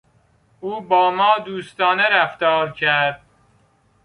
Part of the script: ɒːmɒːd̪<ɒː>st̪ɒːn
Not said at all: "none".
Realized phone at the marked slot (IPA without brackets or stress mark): uː